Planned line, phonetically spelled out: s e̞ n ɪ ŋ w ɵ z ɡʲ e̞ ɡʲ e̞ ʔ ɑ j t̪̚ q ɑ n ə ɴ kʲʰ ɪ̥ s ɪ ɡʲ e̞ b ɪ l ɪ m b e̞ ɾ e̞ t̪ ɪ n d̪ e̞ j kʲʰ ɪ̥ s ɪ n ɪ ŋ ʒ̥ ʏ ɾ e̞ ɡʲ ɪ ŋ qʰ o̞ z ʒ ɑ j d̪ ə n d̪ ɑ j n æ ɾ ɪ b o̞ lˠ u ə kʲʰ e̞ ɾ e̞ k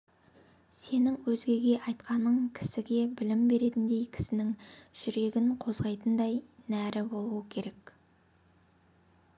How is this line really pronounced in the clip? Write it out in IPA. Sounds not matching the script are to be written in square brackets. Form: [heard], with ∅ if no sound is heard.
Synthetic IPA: s e̞ n ɪ ŋ w ɵ z ɡʲ e̞ ɡʲ e̞ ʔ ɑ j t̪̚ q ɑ n ə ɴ kʲʰ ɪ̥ s ɪ ɡʲ e̞ b ɪ l ɪ m b e̞ ɾ e̞ t̪ ɪ n d̪ e̞ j kʲʰ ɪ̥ s ɪ n ɪ ŋ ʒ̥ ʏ ɾ e̞ ɡʲ ɪ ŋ qʰ o̞ z [ʁ] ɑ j [t̪] ə n d̪ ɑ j n æ ɾ ɪ b o̞ lˠ u ə kʲʰ e̞ ɾ e̞ k